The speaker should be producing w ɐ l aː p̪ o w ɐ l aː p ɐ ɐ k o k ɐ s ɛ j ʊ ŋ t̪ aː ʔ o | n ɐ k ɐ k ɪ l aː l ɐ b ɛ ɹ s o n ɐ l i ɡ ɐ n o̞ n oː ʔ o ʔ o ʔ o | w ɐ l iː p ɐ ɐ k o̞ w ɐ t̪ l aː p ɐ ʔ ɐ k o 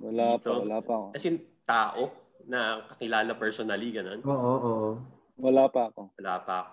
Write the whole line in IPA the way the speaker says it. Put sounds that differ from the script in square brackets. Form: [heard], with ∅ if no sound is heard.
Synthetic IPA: w ɐ l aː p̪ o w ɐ l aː p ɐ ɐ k o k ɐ s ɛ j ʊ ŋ t̪ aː ʔ o | n ɐ k ɐ k ɪ l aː l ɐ [p] ɛ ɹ s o n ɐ l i ɡ ɐ n o̞ n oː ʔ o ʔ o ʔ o | w ɐ l [aː] p ɐ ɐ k o̞ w ɐ [∅] l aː p ɐ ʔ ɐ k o